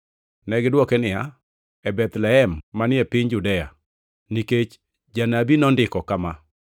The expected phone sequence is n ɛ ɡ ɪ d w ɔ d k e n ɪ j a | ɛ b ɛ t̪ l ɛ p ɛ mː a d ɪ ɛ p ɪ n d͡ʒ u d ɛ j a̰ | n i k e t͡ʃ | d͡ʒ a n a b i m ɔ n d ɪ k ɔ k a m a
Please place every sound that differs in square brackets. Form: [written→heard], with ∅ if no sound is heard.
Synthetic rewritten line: n ɛ ɡ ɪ d w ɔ [d→∅] k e n ɪ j a | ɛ b ɛ t̪ l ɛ [p→∅] ɛ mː a [d→n] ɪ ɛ p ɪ [n→ɲ] d͡ʒ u d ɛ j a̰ | n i k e t͡ʃ | d͡ʒ a n a b i [m→n] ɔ n d ɪ k ɔ k a m a

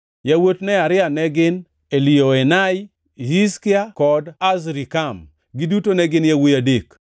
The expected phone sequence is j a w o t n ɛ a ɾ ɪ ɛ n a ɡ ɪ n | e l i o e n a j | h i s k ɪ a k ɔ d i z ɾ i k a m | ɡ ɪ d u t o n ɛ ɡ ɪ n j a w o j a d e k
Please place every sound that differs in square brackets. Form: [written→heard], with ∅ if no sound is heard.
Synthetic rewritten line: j a w o t n ɛ a ɾ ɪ [ɛ→a] n [a→ɛ] ɡ ɪ n | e l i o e n a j | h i s k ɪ a k ɔ d [i→a] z ɾ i k a m | ɡ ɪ d u t o n ɛ ɡ ɪ n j a w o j a d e k

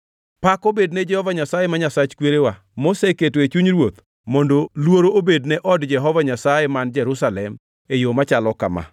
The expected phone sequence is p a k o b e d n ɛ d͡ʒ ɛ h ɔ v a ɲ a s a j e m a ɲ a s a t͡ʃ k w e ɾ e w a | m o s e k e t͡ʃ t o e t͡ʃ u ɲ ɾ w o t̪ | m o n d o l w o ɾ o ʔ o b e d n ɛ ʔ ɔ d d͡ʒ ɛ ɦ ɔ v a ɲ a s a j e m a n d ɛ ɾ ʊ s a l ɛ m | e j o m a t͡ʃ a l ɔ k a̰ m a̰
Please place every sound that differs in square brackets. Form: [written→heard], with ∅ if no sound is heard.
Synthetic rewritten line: p a k o b e d n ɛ d͡ʒ ɛ h ɔ v a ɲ a s a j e m a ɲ a s a t͡ʃ k w e ɾ e w a | m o s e k e [t͡ʃ→∅] t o e t͡ʃ u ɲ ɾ w o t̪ | m o n d o l w o ɾ o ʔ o b e d n ɛ ʔ ɔ d d͡ʒ ɛ ɦ ɔ v a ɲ a s a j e m a n [d→d͡ʒ] ɛ ɾ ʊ s a l ɛ m | e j o m a t͡ʃ a l ɔ k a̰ m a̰

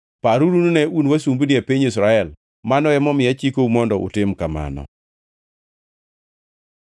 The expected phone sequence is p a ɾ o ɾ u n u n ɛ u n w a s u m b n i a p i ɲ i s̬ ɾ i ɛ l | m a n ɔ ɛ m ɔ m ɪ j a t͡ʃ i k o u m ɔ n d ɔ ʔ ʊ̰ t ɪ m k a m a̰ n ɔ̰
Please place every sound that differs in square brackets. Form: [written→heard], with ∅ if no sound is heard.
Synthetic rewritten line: p a ɾ [o→u] ɾ u n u n ɛ u n w a s u m b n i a p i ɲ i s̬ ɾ [i→a] ɛ l | m a n ɔ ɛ m ɔ m ɪ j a t͡ʃ i k o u m ɔ n d ɔ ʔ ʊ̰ t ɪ m k a m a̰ n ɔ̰

